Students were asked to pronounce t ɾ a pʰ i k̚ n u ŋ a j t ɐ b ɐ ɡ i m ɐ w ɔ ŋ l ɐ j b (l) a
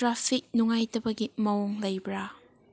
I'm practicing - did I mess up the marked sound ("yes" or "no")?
yes